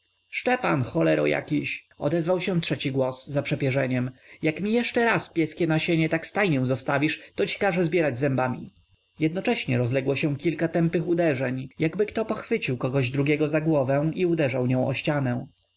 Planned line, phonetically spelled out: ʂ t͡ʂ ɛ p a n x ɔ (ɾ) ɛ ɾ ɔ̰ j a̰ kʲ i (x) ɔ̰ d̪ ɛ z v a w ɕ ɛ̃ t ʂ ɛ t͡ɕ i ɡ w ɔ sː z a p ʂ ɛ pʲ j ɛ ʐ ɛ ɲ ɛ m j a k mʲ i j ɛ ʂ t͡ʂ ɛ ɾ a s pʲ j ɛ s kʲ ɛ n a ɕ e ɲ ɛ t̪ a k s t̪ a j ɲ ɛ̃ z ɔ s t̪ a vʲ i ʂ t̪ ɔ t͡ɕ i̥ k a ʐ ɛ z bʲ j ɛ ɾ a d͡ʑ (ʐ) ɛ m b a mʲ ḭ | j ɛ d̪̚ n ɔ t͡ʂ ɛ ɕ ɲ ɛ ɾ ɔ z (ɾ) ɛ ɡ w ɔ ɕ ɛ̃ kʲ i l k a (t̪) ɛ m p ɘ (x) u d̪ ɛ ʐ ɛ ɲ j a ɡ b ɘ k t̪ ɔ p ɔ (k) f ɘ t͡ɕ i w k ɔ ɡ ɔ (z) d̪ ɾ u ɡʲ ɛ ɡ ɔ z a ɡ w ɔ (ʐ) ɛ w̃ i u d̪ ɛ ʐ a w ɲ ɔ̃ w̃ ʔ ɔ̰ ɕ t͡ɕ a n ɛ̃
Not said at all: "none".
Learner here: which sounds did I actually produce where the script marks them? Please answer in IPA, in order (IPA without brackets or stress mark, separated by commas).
l, ɕ, z, l, t̪, x, x, ʑ, v